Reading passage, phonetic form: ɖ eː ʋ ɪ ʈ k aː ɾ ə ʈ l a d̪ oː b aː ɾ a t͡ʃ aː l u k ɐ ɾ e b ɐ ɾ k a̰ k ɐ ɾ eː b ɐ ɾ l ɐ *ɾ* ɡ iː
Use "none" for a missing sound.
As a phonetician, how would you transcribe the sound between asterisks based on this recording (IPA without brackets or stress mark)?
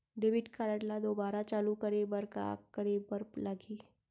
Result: none